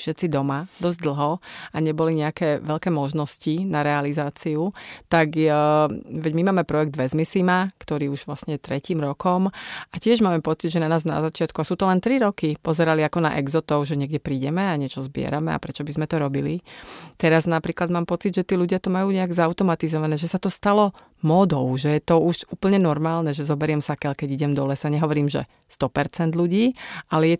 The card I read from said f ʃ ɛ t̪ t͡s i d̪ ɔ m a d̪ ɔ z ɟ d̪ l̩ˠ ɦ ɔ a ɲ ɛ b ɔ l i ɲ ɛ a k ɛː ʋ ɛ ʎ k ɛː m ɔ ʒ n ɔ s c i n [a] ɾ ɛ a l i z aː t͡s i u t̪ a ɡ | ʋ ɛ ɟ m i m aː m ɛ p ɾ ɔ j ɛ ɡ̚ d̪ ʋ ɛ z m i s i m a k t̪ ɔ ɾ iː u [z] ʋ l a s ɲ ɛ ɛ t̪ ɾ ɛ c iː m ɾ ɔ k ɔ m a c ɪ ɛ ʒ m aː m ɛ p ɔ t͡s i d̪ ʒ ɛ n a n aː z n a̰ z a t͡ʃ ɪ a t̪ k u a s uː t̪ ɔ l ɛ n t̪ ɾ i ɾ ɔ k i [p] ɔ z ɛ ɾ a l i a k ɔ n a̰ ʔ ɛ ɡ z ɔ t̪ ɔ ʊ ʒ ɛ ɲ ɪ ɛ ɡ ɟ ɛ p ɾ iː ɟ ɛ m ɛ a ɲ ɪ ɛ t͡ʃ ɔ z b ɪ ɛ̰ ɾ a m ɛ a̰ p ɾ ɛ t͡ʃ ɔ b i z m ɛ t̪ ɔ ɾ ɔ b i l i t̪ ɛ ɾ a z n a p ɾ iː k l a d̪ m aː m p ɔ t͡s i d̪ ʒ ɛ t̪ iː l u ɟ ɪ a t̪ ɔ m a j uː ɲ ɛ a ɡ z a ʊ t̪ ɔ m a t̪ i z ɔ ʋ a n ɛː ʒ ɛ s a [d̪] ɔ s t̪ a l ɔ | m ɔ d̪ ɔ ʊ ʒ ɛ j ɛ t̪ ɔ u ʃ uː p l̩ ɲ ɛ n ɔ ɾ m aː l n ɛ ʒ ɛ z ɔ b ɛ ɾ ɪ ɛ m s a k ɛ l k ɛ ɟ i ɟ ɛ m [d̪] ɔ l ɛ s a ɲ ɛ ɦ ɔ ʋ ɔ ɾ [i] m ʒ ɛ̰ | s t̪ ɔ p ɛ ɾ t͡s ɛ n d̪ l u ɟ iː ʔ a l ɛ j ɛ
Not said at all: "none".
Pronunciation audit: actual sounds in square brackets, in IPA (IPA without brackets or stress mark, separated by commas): a, ʒ, p, t̪, d̪, iː